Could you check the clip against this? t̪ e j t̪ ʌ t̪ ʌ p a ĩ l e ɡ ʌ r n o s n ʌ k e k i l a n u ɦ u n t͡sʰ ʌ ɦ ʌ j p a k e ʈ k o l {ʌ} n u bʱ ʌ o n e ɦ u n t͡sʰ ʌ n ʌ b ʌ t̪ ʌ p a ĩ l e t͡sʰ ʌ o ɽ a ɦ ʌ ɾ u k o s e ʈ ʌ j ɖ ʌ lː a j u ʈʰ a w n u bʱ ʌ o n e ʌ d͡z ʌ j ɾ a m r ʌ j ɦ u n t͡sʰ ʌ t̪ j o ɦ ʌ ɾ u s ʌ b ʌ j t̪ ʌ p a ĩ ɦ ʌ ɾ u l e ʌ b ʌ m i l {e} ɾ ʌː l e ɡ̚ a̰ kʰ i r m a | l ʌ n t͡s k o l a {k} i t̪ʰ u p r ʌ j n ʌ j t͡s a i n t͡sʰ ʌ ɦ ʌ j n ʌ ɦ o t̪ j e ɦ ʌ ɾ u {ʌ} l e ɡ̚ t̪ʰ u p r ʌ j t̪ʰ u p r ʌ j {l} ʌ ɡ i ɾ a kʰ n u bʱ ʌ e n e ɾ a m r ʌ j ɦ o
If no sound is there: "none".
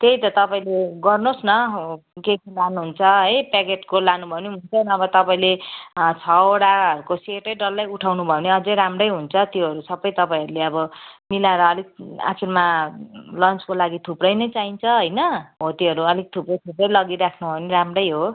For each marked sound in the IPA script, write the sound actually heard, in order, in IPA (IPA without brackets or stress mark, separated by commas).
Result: a, a, ɡ, ʌ, l